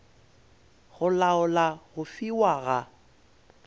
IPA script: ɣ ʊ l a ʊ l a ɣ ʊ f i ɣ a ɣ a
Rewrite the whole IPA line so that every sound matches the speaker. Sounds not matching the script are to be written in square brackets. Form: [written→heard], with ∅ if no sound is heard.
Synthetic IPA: ɣ ʊ l a ʊ l a ɣ ʊ f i [ɣ→w] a ɣ a

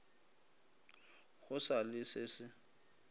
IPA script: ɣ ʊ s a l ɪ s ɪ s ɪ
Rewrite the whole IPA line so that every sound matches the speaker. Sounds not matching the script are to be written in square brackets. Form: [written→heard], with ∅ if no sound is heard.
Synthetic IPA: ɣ ʊ s a l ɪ s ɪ s ɪ

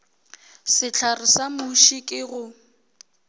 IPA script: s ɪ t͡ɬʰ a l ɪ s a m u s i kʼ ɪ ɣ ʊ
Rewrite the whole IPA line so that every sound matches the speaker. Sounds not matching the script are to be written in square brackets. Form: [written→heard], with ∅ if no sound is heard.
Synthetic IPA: s ɪ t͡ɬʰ a [l→r] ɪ s a m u [s→ʃ] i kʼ ɪ ɣ ʊ

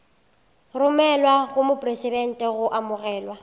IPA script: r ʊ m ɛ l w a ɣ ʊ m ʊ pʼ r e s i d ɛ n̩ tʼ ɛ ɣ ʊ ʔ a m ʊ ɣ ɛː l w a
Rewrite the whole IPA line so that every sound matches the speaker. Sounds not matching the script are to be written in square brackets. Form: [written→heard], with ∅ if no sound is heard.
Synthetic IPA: r ʊ m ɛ l w a ɣ ʊ m ʊ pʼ r e s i d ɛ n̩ tʼ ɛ ɣ ʊ ʔ a m ʊ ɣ ɛː l w a

